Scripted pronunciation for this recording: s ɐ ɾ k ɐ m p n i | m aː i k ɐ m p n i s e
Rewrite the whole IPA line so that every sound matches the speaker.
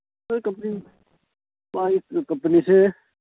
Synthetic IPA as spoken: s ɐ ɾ k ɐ m p n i | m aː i k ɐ m p n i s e